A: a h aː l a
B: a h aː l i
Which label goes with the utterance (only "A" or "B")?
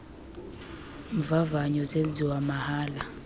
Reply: A